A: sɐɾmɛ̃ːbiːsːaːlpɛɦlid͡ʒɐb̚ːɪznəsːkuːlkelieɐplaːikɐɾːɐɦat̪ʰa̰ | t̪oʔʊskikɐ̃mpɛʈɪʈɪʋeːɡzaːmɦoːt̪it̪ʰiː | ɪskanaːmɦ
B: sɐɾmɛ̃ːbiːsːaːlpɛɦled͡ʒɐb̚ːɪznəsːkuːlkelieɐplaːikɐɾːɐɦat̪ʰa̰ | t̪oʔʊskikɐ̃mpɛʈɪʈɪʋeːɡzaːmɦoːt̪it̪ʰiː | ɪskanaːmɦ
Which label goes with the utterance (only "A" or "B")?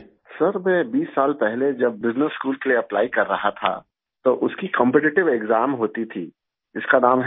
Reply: B